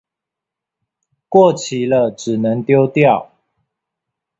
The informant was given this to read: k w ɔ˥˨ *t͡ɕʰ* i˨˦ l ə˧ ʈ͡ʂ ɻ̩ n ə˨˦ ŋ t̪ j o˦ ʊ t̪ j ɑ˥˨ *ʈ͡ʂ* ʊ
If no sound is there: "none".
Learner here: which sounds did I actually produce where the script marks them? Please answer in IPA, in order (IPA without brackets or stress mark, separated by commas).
t͡ɕʰ, none